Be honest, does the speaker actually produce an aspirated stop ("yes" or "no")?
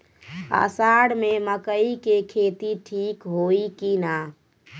yes